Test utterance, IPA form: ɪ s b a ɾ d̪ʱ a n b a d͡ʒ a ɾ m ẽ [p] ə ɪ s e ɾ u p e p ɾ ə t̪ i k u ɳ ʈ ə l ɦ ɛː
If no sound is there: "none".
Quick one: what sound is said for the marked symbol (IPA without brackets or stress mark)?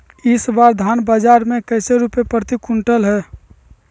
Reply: k